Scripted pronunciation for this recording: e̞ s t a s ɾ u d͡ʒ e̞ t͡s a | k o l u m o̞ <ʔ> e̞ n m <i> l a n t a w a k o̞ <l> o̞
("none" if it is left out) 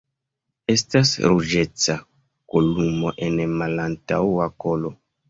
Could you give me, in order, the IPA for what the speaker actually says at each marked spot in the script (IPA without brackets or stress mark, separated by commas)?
ʔ, a, l